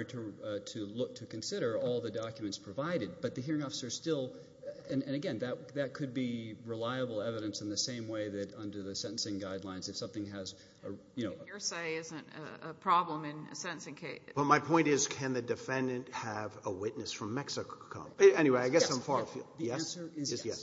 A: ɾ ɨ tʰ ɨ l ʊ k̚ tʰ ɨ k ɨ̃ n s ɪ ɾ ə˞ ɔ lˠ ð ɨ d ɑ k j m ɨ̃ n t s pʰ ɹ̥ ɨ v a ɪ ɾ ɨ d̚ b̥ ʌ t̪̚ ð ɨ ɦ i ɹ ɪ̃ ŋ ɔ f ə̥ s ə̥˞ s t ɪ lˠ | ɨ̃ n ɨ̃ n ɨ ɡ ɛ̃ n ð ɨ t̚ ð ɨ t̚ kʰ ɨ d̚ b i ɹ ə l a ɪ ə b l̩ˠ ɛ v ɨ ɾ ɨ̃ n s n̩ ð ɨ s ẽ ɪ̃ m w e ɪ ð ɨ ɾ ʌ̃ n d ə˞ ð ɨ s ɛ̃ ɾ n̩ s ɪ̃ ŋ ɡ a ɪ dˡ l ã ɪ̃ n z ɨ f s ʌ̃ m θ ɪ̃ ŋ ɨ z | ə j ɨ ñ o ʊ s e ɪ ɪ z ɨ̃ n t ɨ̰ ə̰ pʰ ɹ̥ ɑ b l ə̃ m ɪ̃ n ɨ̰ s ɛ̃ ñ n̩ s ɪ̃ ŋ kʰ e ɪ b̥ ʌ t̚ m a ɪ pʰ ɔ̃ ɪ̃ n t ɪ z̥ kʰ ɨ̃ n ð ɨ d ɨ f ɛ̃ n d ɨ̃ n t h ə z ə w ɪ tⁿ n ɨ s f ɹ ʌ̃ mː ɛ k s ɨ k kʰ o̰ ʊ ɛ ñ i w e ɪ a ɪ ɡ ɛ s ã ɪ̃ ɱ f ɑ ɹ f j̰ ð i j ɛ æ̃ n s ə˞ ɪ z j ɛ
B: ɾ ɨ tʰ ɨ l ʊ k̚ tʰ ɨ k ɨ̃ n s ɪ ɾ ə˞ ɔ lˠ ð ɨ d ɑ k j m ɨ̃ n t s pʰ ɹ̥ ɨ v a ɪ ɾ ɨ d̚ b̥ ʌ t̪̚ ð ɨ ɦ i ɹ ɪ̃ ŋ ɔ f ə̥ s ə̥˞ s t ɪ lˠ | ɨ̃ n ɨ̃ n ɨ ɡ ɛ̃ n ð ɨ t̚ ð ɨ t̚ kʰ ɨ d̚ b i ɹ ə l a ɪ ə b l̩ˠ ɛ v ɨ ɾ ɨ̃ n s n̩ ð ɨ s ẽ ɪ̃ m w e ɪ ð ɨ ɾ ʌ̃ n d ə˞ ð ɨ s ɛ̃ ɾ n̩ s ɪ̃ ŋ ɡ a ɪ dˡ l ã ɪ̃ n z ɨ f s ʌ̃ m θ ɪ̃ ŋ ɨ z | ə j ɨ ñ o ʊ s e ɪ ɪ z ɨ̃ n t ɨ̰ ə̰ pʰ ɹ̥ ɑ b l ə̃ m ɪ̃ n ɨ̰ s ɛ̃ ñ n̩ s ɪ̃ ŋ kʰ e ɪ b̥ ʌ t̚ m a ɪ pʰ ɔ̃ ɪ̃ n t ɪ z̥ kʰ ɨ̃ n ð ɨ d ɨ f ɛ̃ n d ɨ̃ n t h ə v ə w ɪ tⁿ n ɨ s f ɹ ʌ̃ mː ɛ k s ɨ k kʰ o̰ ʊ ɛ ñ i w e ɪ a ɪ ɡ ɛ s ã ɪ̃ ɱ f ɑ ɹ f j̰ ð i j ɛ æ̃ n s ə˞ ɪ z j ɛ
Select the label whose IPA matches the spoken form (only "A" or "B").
B